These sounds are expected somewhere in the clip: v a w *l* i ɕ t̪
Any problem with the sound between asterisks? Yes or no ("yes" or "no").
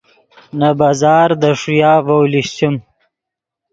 no